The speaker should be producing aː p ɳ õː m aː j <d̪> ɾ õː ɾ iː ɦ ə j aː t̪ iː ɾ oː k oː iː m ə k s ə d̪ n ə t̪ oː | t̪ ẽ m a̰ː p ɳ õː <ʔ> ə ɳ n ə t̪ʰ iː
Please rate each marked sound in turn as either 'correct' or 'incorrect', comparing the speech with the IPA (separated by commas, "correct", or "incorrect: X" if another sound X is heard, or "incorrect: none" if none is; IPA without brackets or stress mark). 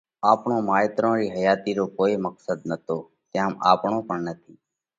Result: incorrect: t̪, incorrect: p